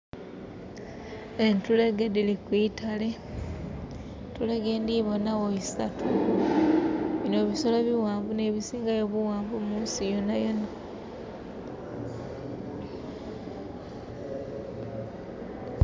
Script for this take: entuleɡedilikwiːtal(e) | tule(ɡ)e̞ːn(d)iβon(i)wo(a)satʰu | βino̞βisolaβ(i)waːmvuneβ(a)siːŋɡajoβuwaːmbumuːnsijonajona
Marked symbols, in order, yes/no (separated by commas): yes, yes, yes, no, no, yes, no